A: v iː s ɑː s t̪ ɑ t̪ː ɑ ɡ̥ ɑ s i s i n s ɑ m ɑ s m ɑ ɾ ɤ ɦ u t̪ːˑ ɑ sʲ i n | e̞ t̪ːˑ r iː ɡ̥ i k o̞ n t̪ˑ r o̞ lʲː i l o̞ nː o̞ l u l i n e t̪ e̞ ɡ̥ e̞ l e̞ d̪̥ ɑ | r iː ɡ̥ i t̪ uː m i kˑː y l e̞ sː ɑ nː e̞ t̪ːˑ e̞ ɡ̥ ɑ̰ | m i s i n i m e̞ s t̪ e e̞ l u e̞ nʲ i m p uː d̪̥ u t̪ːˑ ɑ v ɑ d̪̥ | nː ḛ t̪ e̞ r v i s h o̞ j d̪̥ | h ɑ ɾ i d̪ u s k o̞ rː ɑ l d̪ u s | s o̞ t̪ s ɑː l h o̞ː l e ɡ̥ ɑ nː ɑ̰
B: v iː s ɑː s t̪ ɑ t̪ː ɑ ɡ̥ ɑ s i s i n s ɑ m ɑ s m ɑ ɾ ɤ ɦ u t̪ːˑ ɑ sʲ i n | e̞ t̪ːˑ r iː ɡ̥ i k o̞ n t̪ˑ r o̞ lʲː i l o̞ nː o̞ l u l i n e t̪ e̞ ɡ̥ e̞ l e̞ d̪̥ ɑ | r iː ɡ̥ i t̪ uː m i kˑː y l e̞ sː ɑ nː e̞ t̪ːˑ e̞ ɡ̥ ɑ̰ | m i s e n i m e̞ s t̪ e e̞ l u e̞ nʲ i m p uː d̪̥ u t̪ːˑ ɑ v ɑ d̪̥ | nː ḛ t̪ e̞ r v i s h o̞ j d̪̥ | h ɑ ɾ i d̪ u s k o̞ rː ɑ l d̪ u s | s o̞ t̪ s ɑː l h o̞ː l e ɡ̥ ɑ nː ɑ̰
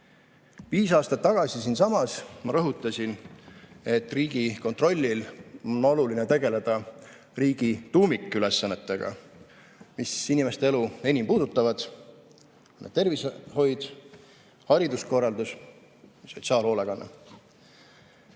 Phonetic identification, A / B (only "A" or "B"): A